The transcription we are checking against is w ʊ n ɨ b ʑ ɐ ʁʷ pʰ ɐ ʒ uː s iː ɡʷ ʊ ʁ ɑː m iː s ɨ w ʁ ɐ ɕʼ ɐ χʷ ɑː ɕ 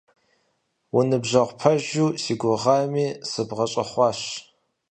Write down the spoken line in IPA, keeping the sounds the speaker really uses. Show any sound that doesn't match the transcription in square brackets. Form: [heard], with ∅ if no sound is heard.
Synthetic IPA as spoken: w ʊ n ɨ b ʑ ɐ ʁʷ pʰ ɐ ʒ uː s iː ɡʷ ʊ ʁ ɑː m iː s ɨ [b] ʁ ɐ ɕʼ ɐ χʷ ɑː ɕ

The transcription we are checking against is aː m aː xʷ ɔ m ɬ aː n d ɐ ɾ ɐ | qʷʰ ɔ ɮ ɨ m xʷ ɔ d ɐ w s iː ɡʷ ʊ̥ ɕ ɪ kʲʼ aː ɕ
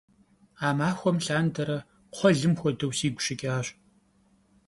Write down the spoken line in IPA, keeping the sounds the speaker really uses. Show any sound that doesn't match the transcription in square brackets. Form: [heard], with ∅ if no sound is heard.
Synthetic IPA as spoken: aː m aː xʷ ɔ m ɬ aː n d ɐ ɾ ɐ | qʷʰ ɔ ɮ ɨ m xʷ ɔ d ɐ w s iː ɡʷ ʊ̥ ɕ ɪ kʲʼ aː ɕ

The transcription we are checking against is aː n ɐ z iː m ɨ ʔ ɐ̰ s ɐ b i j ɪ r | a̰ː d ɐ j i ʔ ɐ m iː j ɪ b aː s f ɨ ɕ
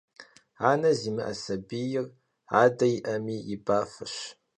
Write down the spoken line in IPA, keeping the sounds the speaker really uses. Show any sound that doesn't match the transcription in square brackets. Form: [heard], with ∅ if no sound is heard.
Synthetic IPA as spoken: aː n ɐ z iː m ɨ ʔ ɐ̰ s ɐ b i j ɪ r | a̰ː d ɐ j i ʔ ɐ m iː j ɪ b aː [∅] f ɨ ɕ

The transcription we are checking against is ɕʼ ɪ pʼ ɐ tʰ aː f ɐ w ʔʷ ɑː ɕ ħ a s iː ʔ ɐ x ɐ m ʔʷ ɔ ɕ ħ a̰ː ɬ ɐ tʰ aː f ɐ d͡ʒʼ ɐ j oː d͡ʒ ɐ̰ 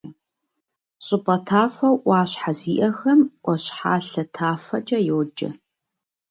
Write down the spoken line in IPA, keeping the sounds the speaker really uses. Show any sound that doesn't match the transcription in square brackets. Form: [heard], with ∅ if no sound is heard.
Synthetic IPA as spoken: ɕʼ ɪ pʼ ɐ tʰ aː f ɐ w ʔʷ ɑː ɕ ħ a [z] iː ʔ ɐ x ɐ m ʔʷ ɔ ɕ ħ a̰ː ɬ ɐ tʰ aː f ɐ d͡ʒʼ ɐ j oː d͡ʒ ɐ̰

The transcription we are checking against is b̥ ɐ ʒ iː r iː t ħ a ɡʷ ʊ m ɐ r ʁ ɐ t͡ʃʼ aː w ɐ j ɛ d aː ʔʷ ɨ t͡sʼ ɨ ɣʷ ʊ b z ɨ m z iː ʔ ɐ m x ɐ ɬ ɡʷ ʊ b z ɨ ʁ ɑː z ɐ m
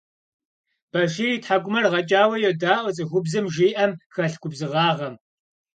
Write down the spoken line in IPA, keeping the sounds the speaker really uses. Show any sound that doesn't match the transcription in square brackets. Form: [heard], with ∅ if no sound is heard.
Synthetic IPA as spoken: b̥ ɐ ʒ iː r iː t ħ a ɡʷ ʊ m ɐ r ʁ ɐ t͡ʃʼ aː w ɐ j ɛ d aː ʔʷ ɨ t͡sʼ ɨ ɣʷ ʊ b z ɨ m [ʒ] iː ʔ ɐ m x ɐ ɬ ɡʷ ʊ b z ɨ ʁ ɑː [ʁ] ɐ m

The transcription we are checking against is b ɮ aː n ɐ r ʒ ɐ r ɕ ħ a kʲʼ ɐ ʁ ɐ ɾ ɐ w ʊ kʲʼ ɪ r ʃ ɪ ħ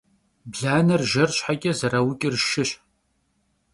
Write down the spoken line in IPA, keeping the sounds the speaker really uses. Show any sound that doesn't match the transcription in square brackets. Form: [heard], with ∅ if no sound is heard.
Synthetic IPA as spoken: b ɮ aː n ɐ r ʒ ɐ r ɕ ħ a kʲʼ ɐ [z] ɐ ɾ ɐ w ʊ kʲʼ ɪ r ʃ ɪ [ɕ]

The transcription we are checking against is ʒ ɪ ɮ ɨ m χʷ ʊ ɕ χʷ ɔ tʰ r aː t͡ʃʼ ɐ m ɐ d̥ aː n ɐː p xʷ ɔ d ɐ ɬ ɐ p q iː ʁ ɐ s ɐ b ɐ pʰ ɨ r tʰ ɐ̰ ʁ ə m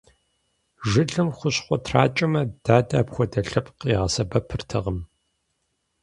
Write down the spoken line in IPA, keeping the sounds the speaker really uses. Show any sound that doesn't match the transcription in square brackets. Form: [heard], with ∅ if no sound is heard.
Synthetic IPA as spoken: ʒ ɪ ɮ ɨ m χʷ ʊ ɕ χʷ ɔ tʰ r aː t͡ʃʼ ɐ m ɐ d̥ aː [d] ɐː p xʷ ɔ d ɐ ɬ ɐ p q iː ʁ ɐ s ɐ b ɐ pʰ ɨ r tʰ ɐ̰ ʁ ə m

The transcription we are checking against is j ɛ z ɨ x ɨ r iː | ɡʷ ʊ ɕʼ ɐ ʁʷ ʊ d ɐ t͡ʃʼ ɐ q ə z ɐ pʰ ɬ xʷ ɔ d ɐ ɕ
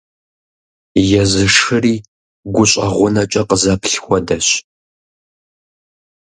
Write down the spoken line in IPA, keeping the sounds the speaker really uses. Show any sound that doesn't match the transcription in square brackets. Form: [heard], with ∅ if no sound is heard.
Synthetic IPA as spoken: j ɛ z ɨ [ʂ] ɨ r iː | ɡʷ ʊ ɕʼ ɐ ʁʷ ʊ [n] ɐ t͡ʃʼ ɐ q ə z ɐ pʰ ɬ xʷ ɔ d ɐ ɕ

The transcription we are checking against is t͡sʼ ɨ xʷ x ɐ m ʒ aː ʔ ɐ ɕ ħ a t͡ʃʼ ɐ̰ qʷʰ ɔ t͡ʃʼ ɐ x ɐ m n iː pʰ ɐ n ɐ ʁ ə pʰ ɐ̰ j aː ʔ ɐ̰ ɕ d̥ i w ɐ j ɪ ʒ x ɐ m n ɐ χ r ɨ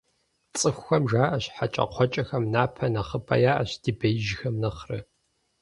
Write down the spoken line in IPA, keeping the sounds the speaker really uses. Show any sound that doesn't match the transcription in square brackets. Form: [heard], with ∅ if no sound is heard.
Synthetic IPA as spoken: t͡sʼ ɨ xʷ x ɐ m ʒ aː ʔ ɐ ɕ ħ a t͡ʃʼ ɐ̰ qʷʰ ɔ t͡ʃʼ ɐ x ɐ m n [aː] pʰ ɐ n ɐ [χ] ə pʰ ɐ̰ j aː ʔ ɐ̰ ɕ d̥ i [b] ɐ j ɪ ʒ x ɐ m n ɐ χ r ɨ

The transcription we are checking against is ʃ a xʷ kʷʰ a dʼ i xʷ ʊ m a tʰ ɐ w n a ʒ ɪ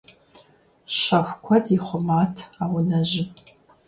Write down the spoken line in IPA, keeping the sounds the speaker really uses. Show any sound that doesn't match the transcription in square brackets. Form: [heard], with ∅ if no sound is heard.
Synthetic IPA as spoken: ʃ a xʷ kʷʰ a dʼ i [χʷ] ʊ m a tʰ [a] w n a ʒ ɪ

